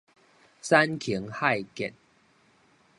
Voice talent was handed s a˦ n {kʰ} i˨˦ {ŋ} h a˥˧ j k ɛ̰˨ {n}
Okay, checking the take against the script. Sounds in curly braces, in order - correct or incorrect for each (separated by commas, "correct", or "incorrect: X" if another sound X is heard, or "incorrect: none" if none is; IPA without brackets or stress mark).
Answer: correct, correct, correct